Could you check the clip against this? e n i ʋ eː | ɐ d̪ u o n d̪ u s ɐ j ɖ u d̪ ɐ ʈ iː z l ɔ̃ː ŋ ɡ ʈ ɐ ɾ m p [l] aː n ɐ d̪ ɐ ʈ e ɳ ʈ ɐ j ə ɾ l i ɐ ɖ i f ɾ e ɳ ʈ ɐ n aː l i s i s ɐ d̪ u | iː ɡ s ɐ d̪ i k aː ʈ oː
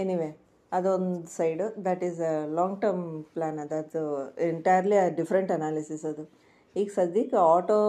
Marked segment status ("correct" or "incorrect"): correct